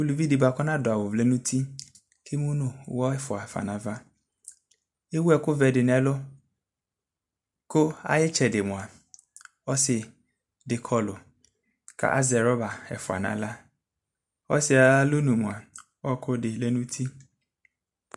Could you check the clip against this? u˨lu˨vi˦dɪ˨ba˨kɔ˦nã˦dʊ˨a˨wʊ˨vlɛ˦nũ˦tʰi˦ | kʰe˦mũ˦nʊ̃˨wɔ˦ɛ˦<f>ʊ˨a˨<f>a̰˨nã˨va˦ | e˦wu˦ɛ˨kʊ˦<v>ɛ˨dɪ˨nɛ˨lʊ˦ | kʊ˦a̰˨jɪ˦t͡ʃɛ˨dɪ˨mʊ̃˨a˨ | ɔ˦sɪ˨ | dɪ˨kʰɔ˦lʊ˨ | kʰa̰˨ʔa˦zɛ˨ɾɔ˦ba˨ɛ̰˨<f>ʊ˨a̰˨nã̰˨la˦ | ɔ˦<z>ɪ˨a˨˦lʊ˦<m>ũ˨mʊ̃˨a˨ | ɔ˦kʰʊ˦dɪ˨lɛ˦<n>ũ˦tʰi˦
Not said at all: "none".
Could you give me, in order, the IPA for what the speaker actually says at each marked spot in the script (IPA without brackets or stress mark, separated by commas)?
f, f, v, f, s, n, n